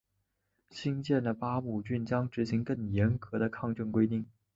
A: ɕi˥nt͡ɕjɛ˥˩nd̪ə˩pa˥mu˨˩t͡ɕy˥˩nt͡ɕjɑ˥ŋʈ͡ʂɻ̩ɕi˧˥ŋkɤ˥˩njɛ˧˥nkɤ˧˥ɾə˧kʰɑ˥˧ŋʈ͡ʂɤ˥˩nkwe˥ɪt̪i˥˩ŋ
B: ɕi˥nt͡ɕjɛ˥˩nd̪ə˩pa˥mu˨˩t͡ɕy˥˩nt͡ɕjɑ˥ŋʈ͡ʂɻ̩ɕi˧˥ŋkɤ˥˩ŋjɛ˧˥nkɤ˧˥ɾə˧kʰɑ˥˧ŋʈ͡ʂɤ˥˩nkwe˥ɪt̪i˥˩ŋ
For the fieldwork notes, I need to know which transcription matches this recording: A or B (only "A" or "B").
B